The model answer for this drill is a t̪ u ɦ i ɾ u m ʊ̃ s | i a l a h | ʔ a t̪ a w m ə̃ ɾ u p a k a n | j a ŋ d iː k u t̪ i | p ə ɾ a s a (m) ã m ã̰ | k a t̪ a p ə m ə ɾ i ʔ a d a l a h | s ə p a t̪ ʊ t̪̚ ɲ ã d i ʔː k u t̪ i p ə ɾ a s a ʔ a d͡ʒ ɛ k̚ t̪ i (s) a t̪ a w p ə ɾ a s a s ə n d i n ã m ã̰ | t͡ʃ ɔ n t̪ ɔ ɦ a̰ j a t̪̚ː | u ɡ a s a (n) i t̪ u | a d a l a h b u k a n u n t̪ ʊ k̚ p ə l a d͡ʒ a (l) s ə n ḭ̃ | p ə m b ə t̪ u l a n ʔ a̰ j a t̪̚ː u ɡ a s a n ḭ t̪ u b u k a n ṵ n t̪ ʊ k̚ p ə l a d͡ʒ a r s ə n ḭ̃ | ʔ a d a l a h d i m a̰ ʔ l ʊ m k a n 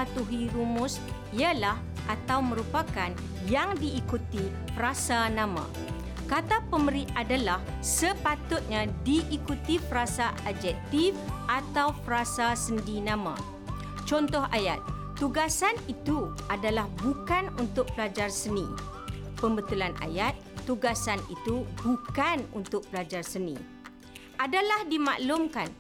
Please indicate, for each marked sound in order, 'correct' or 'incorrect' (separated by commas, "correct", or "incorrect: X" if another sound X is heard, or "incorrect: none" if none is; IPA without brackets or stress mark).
incorrect: n, incorrect: f, correct, incorrect: r